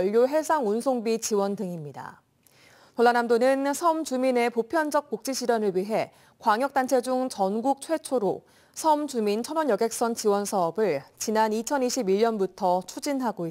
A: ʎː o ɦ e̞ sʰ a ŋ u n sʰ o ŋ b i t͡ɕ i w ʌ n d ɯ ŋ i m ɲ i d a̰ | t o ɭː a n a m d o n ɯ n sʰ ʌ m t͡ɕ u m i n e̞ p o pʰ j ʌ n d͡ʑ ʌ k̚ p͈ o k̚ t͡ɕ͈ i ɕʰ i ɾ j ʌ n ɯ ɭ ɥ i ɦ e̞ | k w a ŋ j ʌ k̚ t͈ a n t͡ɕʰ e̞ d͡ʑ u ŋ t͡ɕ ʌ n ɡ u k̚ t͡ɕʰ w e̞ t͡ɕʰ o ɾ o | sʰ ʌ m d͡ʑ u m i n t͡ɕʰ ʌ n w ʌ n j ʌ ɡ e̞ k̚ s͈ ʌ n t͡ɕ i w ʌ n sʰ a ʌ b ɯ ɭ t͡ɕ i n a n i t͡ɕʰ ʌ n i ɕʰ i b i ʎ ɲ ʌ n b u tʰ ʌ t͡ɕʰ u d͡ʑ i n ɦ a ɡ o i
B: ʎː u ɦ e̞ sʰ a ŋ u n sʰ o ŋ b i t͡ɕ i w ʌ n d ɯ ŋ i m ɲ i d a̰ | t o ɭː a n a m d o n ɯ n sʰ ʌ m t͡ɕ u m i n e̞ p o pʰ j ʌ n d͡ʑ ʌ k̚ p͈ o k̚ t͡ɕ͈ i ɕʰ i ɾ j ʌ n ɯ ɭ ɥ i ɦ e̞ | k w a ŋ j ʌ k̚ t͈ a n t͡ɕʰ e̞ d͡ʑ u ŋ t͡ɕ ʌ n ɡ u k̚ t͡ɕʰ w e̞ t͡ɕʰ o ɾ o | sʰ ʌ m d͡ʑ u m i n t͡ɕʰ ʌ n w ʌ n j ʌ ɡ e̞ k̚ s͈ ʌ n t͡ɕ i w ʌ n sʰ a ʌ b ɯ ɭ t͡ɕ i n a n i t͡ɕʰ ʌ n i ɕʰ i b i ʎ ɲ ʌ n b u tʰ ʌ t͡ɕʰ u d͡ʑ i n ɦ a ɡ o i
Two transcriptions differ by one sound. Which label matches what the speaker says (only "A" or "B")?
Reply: A